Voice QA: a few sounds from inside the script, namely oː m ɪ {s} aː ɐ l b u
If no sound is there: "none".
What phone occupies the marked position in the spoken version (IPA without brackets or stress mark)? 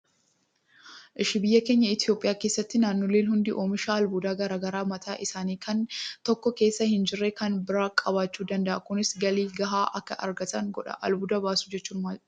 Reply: ʃ